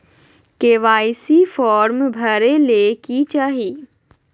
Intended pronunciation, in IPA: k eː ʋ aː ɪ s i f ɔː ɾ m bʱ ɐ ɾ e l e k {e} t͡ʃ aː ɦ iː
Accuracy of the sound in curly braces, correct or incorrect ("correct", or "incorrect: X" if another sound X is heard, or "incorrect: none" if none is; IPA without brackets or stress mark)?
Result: incorrect: i